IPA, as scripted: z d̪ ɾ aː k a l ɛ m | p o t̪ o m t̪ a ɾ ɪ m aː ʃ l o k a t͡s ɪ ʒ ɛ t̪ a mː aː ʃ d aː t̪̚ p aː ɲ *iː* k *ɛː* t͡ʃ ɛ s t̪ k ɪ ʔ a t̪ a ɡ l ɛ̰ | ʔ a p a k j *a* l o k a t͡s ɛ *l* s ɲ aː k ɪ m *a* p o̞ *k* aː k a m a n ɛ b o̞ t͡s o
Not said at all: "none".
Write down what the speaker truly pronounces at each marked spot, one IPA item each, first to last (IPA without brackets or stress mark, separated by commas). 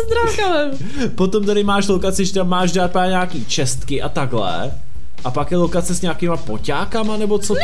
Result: aː, iː, ɛ, none, a, c